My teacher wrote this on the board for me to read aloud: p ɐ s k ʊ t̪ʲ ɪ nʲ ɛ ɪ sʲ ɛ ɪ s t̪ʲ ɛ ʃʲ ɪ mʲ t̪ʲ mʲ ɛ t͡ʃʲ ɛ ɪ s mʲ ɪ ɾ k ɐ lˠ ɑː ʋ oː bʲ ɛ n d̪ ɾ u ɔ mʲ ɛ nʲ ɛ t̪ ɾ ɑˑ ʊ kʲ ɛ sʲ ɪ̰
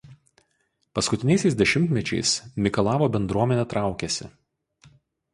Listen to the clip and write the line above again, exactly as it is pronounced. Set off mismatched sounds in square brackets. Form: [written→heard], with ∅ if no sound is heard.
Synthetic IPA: p ɐ s k ʊ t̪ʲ ɪ nʲ ɛ ɪ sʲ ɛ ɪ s [t̪ʲ→d̪ʲ] ɛ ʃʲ ɪ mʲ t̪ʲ mʲ ɛ t͡ʃʲ ɛ ɪ s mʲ ɪ [ɾ→∅] k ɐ lˠ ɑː ʋ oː bʲ ɛ n d̪ ɾ u ɔ mʲ ɛ nʲ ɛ t̪ ɾ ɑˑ ʊ kʲ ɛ sʲ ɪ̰